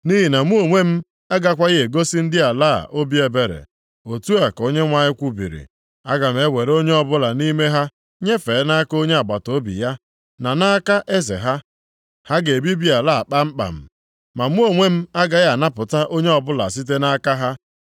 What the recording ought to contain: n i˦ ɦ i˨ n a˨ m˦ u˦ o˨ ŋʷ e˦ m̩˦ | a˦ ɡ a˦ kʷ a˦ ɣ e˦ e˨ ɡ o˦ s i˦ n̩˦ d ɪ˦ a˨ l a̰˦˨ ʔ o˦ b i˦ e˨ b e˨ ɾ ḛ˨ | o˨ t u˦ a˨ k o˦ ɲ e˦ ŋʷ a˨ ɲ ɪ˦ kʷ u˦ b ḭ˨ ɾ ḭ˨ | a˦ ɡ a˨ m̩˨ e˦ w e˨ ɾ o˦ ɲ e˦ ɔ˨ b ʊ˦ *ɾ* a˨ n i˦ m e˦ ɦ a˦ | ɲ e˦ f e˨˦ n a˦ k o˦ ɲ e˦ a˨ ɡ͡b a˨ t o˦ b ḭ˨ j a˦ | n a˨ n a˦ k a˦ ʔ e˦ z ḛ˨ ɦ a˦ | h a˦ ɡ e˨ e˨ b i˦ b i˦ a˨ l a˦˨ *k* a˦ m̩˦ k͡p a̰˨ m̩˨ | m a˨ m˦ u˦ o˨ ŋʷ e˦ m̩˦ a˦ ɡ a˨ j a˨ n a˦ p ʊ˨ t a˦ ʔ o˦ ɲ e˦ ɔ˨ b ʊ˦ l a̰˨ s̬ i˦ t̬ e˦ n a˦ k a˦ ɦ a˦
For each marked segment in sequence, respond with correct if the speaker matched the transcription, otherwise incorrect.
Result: incorrect, incorrect

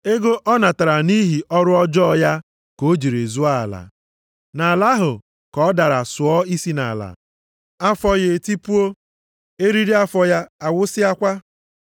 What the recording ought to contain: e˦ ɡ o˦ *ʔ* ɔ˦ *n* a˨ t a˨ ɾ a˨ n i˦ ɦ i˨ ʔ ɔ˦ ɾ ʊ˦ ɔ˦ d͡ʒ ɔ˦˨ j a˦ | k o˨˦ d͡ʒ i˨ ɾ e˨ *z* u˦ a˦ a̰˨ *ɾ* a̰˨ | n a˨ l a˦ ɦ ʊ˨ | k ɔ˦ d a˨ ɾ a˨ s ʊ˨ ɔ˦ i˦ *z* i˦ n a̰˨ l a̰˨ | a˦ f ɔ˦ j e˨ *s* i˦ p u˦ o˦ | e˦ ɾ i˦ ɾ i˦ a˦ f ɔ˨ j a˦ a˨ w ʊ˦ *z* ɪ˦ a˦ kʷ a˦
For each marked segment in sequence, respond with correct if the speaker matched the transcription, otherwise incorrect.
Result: correct, correct, correct, incorrect, incorrect, incorrect, incorrect

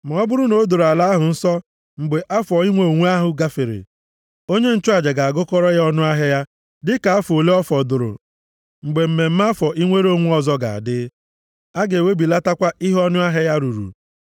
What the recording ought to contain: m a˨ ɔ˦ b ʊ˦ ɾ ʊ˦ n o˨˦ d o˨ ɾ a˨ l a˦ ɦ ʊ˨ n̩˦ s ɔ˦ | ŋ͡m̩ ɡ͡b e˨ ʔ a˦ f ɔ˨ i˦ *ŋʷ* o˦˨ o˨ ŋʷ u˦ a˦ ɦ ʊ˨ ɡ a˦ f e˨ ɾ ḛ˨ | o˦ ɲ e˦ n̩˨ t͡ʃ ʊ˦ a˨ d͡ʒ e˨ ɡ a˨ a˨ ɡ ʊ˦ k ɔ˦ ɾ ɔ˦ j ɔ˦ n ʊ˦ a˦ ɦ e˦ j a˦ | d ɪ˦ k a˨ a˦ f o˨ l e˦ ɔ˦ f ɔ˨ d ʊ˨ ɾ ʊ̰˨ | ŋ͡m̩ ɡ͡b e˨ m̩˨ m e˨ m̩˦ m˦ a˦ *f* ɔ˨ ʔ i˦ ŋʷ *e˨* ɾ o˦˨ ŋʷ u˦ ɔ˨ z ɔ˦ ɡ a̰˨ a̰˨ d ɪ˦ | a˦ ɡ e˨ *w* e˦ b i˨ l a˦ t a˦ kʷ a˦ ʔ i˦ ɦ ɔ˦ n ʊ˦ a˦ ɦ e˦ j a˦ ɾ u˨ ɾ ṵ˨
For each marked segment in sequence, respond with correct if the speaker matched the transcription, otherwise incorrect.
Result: correct, correct, incorrect, correct

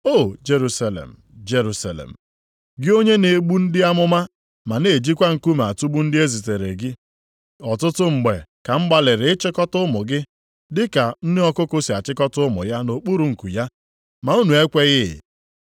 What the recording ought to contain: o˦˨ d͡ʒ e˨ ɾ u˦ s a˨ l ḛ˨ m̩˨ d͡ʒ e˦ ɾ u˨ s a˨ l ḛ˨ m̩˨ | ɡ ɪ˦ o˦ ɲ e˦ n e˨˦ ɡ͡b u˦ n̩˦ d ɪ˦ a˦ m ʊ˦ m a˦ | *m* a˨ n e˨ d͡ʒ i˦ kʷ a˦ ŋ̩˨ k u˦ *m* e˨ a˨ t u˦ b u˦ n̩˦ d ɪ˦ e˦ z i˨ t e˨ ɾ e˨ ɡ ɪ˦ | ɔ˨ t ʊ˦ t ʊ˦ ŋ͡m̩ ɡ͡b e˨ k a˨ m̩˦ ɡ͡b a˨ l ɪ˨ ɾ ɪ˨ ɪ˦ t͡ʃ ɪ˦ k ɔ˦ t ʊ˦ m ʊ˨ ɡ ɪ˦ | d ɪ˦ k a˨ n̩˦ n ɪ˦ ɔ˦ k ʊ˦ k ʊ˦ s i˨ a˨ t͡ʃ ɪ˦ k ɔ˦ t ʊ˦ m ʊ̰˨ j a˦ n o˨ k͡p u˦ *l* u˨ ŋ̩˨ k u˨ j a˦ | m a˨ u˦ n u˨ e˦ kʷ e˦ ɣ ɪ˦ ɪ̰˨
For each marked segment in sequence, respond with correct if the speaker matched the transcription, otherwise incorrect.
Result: correct, correct, incorrect

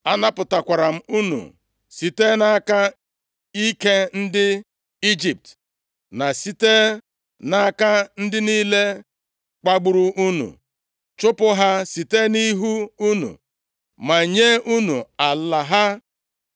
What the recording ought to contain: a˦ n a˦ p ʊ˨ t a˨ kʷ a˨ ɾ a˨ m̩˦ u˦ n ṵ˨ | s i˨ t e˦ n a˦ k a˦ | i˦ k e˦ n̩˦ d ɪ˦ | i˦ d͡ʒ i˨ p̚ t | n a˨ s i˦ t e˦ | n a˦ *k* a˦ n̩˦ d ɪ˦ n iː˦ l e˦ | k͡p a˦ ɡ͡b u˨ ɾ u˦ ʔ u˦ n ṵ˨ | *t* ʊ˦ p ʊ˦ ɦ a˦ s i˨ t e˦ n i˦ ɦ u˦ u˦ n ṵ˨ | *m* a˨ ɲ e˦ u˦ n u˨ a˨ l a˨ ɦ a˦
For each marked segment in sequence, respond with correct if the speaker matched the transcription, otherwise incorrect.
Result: correct, incorrect, correct

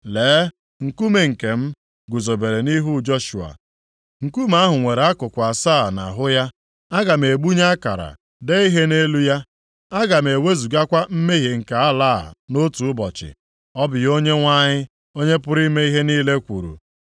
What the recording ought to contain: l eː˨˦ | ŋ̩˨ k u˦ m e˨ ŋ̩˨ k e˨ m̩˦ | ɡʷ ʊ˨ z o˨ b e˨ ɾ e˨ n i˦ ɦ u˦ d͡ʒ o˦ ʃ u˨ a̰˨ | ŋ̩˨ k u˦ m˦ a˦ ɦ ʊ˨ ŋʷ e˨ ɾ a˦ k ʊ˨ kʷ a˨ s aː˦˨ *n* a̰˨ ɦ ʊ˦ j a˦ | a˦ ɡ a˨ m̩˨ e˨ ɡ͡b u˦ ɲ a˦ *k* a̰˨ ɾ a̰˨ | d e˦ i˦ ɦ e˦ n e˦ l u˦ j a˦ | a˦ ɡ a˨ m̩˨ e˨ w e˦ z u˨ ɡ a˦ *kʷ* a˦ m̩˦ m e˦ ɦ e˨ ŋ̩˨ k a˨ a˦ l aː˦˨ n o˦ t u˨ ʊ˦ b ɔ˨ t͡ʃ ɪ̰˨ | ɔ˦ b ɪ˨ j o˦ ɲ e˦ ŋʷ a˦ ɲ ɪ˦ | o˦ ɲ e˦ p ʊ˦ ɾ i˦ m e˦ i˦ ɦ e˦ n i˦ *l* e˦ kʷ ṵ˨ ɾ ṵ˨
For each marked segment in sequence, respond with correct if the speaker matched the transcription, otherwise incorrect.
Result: correct, correct, correct, correct

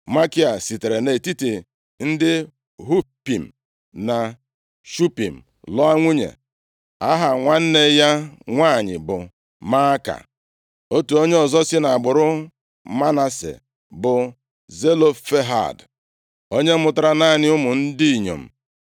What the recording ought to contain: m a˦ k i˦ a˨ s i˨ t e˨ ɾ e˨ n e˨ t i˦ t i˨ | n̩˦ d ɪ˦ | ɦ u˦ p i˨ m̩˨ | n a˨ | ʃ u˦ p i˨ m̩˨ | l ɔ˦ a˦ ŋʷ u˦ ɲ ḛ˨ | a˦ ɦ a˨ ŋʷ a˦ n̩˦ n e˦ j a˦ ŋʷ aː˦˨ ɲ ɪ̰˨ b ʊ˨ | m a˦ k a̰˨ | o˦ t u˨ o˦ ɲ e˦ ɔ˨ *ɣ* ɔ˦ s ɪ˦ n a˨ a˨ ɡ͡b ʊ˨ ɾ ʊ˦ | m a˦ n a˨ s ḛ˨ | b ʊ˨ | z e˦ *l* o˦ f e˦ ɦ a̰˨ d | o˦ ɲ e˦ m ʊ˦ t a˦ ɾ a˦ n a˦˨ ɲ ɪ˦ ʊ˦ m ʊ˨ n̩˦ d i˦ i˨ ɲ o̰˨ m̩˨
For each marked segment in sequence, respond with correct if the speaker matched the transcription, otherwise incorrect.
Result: incorrect, correct

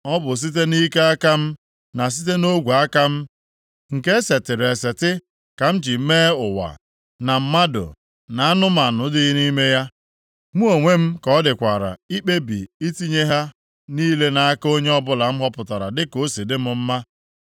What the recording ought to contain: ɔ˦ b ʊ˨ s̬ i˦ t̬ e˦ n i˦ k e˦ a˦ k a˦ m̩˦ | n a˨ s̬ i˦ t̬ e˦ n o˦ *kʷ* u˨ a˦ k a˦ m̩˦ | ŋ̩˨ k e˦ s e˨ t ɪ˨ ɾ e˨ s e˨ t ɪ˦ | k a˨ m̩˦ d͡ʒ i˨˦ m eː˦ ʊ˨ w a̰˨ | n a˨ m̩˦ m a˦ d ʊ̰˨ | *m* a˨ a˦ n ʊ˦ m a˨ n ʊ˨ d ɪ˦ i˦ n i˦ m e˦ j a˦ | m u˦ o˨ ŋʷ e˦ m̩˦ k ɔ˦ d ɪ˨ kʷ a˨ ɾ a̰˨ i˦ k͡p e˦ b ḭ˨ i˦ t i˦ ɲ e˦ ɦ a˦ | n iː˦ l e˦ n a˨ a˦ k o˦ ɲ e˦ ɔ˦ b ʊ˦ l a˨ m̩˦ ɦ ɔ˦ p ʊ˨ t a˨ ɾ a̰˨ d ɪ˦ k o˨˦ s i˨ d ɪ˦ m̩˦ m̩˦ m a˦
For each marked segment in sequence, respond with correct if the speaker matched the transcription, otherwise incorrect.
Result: incorrect, incorrect

